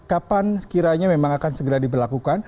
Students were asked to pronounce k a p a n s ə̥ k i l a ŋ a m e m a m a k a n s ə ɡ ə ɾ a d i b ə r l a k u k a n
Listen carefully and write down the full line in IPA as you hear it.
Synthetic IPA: k a p a n s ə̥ k i ɾ a ɲ a m e m a ŋ a k a n s ə ɡ ə ɾ a d i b ə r l a k u k a n